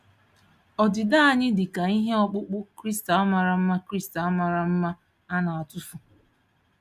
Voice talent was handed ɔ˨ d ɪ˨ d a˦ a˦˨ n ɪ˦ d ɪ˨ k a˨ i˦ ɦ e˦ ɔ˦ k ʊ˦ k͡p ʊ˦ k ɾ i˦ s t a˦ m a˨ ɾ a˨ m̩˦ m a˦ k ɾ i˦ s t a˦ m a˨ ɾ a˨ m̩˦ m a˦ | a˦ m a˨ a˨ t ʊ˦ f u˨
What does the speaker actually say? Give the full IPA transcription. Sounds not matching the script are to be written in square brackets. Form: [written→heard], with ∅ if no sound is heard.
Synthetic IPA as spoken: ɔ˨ d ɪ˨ d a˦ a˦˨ [n→ɲ] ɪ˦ d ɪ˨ k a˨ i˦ ɦ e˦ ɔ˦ [k→k͡p] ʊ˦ k͡p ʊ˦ k ɾ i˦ s t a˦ m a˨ ɾ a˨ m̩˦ m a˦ k ɾ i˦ s t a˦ m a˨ ɾ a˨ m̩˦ m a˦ | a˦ [m→n] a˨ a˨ t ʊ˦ f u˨